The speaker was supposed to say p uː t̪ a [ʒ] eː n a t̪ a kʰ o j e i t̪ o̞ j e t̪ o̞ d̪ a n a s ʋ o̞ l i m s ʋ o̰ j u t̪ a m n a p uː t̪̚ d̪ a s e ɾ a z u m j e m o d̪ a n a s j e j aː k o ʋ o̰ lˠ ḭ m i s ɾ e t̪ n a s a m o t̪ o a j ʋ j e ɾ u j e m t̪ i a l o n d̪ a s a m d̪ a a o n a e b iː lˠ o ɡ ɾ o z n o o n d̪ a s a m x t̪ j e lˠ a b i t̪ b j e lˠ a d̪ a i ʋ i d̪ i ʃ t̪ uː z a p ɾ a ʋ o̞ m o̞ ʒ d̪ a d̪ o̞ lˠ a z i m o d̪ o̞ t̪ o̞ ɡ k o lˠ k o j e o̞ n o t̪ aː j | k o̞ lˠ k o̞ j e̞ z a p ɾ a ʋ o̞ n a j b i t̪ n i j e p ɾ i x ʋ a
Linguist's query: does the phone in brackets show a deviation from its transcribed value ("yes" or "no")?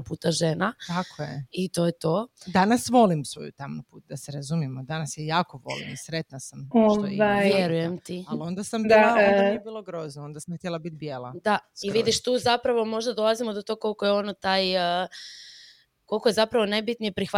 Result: no